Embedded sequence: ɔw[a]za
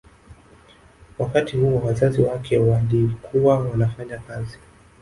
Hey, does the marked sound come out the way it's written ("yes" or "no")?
yes